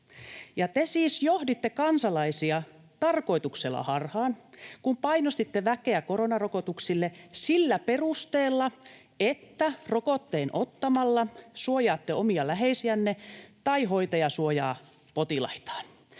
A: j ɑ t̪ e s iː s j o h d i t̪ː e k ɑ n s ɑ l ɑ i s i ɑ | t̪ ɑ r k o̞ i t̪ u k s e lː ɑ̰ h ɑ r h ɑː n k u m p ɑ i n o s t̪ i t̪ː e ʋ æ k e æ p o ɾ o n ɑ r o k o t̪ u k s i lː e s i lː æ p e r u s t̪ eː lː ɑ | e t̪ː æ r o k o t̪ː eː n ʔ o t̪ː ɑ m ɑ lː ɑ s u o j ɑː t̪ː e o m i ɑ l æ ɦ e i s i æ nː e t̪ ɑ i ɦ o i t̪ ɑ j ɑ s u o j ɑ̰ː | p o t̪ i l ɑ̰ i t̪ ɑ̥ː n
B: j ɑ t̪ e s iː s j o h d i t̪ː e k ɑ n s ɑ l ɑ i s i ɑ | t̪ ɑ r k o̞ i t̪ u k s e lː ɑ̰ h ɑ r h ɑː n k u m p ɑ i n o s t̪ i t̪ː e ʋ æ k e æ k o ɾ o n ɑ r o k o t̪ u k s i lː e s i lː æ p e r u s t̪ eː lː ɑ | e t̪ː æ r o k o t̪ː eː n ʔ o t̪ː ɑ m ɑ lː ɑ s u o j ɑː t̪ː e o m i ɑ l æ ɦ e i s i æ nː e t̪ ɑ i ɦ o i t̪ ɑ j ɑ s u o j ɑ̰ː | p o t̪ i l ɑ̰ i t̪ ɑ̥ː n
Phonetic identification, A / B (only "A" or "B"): B